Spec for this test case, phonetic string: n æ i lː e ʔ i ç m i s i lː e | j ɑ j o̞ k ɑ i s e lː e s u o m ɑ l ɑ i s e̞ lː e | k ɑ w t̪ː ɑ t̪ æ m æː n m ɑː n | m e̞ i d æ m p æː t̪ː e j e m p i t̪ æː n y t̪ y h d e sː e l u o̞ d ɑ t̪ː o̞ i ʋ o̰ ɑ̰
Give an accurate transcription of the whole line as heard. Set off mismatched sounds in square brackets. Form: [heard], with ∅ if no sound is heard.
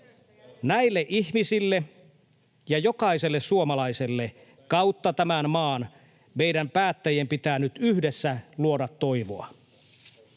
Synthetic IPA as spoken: n æ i lː e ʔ i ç m i s i lː e | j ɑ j o̞ k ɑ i s e lː e s u o m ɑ l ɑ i s e̞ lː e | k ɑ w t̪ː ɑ t̪ æ m [æ] n m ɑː n | m e̞ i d æ m p æː t̪ː [æ] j e m p i t̪ æː n y t̪ y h d e sː [æ] l u o̞ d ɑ t̪ː o̞ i ʋ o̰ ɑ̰